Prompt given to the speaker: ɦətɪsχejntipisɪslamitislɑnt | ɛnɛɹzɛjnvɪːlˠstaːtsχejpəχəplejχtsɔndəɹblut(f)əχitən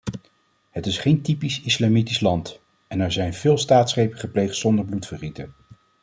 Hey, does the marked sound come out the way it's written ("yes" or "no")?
yes